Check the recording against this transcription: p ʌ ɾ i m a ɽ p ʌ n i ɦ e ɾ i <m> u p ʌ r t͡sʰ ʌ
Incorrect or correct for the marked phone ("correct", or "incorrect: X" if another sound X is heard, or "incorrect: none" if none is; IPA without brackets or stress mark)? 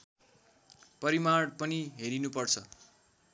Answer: incorrect: n